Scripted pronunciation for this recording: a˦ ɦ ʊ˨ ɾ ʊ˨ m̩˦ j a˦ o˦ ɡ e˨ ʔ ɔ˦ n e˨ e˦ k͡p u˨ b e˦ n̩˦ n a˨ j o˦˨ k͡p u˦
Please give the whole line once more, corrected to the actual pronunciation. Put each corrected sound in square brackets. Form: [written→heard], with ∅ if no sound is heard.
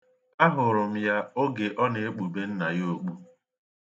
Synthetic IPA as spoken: a˦ ɦ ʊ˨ ɾ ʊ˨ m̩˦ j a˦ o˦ ɡ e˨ ʔ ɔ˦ n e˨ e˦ k͡p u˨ b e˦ n̩˦ n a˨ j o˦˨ k͡p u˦